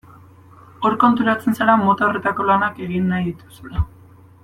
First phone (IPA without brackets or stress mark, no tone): o̞